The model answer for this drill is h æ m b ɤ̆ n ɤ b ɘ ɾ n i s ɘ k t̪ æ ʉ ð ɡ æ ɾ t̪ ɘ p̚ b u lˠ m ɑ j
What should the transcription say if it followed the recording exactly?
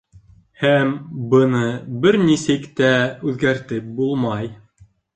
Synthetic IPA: h æ m b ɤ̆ n ɤ b ɘ ɾ n i s ɘ k t̪ æ ʉ ð ɡ æ ɾ t̪ ɘ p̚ b u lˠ m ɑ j